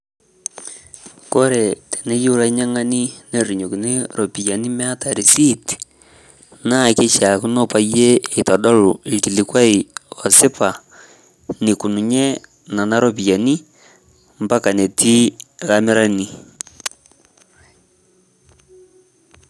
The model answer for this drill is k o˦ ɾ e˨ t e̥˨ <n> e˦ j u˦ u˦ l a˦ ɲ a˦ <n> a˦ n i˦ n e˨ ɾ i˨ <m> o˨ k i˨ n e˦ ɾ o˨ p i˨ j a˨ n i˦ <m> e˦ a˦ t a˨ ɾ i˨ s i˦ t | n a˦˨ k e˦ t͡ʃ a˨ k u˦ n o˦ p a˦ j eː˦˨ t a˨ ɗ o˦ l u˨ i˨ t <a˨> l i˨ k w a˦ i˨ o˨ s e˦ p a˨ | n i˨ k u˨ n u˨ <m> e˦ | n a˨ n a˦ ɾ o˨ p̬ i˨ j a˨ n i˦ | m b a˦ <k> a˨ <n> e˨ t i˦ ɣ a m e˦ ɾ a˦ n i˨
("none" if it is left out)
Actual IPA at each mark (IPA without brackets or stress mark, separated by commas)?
n, ŋ, ɲ, m, i˨, ɲ, k, n